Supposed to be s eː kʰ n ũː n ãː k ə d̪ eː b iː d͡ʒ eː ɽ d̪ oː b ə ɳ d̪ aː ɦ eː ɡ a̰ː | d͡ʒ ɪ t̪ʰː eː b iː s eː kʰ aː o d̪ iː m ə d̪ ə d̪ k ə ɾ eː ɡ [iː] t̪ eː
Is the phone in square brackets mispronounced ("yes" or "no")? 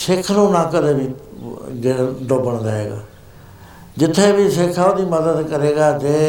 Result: yes